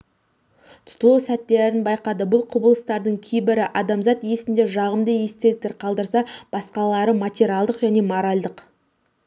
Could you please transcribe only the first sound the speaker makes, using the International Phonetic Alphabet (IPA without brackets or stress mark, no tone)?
t̪ʰ